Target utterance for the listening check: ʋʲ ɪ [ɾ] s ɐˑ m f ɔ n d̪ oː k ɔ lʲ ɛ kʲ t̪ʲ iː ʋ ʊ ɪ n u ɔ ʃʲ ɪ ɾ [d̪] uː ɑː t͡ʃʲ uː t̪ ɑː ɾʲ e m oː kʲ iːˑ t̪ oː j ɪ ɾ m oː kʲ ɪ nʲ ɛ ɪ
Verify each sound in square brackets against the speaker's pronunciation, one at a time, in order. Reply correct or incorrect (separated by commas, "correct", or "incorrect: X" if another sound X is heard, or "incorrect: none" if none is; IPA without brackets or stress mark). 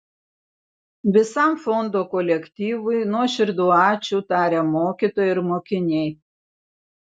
incorrect: none, correct